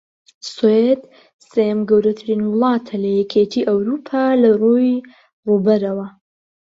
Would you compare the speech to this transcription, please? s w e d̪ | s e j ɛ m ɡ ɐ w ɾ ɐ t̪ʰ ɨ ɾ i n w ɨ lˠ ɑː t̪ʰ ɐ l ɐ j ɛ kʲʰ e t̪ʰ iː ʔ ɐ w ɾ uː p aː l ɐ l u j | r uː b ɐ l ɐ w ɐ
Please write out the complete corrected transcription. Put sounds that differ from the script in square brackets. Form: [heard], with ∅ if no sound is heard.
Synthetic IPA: s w e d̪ | s e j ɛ m ɡ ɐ w ɾ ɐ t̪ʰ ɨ ɾ i n w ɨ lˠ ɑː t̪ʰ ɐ l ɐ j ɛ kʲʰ e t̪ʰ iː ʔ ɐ w ɾ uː [pʰ] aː l ɐ [r] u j | r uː b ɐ [ɾ] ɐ w ɐ